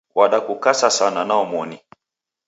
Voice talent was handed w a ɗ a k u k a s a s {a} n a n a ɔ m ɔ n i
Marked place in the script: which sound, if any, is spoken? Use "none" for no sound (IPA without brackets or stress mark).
a